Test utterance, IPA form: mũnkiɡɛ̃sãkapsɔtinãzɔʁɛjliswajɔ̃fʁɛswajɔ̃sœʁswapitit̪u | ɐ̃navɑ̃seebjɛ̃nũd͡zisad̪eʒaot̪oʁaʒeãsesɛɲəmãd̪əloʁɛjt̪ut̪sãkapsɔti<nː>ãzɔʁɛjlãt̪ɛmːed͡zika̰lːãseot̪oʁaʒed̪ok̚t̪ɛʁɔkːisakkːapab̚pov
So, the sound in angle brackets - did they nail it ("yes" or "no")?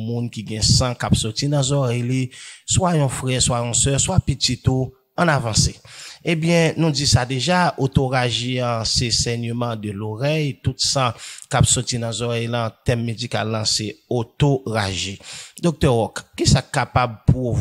no